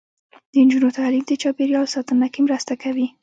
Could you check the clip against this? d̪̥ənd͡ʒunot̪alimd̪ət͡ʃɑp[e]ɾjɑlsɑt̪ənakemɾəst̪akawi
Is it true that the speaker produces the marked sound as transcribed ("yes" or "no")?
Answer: yes